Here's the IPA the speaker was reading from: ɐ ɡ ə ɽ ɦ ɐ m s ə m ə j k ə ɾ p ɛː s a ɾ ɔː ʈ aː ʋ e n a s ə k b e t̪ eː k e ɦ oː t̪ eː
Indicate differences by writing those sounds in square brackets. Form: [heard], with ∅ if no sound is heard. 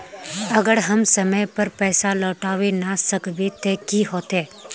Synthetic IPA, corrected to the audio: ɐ ɡ ə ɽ ɦ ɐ m s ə m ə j [p] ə ɾ p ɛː s a [l] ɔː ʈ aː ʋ e n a s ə k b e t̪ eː k [i] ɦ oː t̪ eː